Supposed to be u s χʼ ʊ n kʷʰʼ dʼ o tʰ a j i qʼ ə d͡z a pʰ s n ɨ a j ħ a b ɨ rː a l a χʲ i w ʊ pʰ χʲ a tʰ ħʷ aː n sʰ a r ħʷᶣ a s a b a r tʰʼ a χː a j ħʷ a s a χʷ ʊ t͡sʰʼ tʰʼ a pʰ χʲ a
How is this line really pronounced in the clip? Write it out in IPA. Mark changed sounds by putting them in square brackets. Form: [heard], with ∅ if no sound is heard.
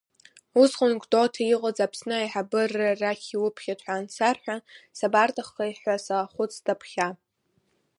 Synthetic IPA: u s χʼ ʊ n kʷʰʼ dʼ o tʰ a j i qʼ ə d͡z a pʰ s n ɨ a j ħ a b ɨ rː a [r] a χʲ i w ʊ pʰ χʲ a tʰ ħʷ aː n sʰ a r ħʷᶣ a s a b a r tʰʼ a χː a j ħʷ a s a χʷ ʊ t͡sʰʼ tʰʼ a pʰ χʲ a